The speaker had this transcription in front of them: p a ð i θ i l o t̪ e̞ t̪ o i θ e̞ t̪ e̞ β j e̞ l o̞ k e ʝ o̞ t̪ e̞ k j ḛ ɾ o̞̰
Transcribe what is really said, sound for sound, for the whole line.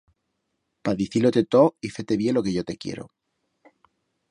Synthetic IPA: p a ð i θ i l o t̪ e̞ t̪ o i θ e̞ t̪ e̞ β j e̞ l o̞ k e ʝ o̞ t̪ e̞ k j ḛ ɾ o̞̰